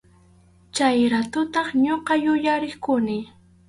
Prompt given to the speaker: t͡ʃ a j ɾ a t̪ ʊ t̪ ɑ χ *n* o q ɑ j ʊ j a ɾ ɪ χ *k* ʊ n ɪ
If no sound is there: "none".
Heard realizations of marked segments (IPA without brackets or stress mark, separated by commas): ɲ, k